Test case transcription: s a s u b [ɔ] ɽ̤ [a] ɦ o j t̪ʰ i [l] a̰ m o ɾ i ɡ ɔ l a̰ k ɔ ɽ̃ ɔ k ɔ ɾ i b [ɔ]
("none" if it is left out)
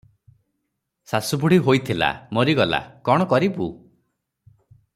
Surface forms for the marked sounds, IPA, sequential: u, i, l, u

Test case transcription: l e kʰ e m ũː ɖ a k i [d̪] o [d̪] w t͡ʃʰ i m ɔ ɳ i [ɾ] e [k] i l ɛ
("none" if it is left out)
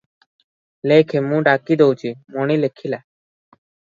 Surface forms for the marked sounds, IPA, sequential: d̪, none, l, kʰ

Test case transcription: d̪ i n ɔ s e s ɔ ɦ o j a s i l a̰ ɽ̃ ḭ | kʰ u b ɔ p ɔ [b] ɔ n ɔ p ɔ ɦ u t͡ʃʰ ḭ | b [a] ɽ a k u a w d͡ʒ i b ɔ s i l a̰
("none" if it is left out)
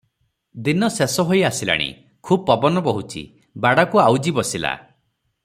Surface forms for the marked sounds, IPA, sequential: b, a

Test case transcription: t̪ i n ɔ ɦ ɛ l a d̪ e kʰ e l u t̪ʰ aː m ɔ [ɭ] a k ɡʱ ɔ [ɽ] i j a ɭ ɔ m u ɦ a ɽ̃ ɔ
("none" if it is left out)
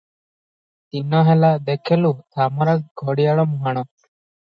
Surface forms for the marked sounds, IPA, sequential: ɾ, ɽ

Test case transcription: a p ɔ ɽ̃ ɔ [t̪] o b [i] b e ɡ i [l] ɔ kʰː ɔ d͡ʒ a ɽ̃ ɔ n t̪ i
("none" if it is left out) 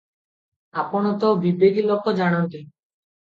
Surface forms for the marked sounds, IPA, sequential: t̪, i, l

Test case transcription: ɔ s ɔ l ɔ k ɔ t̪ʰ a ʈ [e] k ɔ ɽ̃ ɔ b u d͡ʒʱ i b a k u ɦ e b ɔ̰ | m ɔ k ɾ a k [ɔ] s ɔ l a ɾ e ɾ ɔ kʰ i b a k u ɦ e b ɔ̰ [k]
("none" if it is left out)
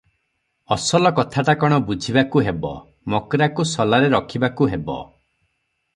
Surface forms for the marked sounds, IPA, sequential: a, u, none

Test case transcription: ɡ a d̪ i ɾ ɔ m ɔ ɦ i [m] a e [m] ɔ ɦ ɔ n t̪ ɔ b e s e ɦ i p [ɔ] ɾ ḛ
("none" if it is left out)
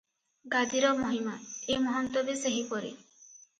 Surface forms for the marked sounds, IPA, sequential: m, m, ɔ

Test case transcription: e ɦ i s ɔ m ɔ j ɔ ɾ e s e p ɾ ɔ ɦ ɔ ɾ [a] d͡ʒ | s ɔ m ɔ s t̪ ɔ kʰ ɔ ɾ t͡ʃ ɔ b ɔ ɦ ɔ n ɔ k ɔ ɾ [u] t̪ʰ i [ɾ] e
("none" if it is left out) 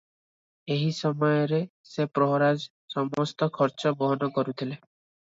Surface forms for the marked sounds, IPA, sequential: a, u, l

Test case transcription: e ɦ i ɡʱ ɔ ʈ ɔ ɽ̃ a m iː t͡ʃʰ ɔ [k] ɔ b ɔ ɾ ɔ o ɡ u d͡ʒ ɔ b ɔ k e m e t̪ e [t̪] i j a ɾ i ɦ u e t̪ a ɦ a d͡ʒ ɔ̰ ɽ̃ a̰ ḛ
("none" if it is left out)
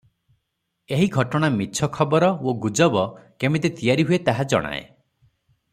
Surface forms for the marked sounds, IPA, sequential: kʰ, t̪

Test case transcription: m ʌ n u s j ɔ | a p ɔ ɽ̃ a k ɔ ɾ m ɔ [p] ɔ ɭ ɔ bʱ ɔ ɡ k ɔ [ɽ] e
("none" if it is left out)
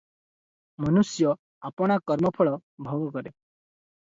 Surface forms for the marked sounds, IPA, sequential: pʰ, ɾ

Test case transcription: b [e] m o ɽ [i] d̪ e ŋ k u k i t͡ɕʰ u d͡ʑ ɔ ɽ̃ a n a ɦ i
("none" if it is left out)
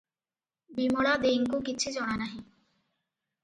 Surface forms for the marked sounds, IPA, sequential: i, a

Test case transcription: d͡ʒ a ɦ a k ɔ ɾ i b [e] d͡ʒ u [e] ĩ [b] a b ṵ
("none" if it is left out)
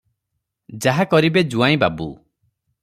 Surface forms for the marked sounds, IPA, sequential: e, a, b

